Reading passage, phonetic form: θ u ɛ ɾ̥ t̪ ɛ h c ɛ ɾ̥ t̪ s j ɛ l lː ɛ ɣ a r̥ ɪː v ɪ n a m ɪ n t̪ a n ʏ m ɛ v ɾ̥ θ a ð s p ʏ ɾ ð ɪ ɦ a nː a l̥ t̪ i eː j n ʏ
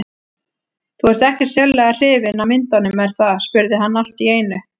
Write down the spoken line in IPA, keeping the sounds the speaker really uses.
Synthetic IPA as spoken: θ u ɛ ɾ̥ t̪ ɛ h c ɛ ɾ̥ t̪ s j ɛ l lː ɛ ɣ a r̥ ɪː v ɪ n a m ɪ n t̪ a n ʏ m ɛ ɾ̥ θ a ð s p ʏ ɾ ð ɪ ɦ a nː a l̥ t̪ i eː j n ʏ